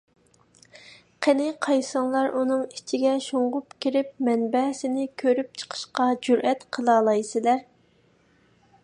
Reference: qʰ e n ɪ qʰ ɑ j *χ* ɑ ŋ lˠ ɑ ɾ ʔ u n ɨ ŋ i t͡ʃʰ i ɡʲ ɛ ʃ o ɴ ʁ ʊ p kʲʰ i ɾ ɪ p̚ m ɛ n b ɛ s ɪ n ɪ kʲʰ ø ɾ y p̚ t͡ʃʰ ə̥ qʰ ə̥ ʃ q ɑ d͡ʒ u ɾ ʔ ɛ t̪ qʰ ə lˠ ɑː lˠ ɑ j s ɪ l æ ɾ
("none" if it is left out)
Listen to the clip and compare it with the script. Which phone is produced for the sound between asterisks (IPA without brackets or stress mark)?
s